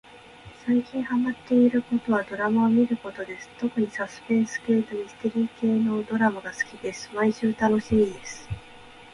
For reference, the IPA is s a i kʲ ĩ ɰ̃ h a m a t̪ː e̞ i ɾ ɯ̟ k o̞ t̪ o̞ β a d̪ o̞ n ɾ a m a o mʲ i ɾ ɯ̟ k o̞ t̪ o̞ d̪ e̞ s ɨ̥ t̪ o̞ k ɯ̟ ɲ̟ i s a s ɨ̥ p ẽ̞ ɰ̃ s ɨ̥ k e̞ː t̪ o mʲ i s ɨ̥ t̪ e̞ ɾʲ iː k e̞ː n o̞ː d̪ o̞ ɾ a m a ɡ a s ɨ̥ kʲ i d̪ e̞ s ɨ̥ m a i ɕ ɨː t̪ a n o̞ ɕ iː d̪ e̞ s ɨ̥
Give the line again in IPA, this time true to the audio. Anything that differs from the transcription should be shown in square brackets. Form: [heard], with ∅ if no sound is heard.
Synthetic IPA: s a i kʲ ĩ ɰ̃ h a m a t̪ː e̞ i ɾ ɯ̟ k o̞ t̪ o̞ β a d̪ o̞ [∅] ɾ a m a o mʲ i ɾ ɯ̟ k o̞ t̪ o̞ d̪ e̞ s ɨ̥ t̪ o̞ k ɯ̟ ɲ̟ i s a s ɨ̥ p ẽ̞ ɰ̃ s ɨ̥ k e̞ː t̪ o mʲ i s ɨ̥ t̪ e̞ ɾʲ iː k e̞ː n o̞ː d̪ o̞ ɾ a m a ɡ a s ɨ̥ kʲ i d̪ e̞ s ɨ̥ m a i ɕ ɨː t̪ a n o̞ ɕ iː d̪ e̞ s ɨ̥

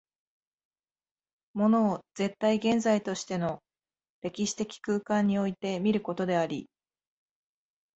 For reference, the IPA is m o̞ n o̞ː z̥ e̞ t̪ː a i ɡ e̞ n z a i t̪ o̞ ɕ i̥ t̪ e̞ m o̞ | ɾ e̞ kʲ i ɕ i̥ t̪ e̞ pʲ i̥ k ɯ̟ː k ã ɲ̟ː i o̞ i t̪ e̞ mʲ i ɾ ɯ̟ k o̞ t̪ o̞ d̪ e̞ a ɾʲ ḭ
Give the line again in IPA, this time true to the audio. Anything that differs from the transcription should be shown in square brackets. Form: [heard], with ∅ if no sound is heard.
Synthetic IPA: m o̞ n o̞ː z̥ e̞ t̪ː a i ɡ [ẽ̞] n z a i t̪ o̞ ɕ i̥ t̪ e̞ [n] o̞ | ɾ e̞ kʲ i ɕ i̥ t̪ e̞ [kʲ] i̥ k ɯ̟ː k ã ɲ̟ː i o̞ i t̪ e̞ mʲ i ɾ ɯ̟ k o̞ t̪ o̞ d̪ e̞ a ɾʲ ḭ

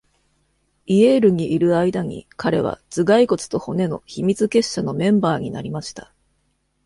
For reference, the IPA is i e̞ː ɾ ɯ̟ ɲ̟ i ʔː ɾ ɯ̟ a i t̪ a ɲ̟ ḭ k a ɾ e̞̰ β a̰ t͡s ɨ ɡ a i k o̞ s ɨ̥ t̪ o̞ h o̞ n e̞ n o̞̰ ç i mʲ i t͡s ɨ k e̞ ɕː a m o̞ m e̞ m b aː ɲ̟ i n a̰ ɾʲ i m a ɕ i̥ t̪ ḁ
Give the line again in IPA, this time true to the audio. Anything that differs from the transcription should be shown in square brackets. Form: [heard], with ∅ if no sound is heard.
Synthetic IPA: i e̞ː ɾ ɯ̟ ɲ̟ i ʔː ɾ ɯ̟ a i [d̪] a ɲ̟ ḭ k a ɾ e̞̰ β a̰ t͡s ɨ ɡ a i k o̞ [t͡s] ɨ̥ t̪ o̞ h o̞ n e̞ n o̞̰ ç i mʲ i t͡s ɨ k e̞ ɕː a [n] o̞ m [ẽ̞] m b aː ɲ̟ i n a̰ ɾʲ i m a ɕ i̥ t̪ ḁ

